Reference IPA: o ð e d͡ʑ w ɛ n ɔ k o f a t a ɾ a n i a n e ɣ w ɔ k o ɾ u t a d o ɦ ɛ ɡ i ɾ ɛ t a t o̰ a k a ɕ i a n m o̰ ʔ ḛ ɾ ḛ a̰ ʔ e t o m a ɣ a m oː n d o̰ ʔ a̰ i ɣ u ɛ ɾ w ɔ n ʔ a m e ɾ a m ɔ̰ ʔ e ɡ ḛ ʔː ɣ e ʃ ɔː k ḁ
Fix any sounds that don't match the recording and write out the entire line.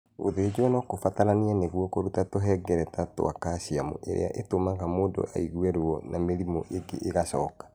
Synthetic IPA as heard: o ð e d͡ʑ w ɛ n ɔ k o f a t a ɾ a n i a n e ɣ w ɔ k o ɾ u t a t o ɦ ɛ ɡ ɛ ɾ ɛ t a t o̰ a k a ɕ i a m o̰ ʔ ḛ ɾ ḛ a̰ ʔ e t o m a ɣ a m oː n d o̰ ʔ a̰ i ɣ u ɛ ɾ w ɔ n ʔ a m e ɾ i m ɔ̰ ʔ e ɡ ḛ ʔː ɣ a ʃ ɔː k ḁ